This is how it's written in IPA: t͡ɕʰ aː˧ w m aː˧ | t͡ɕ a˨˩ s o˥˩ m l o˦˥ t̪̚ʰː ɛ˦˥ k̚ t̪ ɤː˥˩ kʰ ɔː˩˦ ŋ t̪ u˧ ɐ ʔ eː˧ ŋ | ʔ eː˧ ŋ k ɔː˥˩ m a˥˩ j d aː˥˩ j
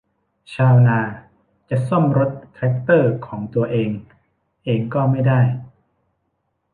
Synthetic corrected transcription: t͡ɕʰ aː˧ w n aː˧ | t͡ɕ a˨˩ s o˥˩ m ɾ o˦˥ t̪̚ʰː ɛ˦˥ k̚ t̪ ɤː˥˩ kʰ ɔː˩˦ ŋ t̪ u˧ ɐ ʔ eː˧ ŋ | ʔ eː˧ ŋ k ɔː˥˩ m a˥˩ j d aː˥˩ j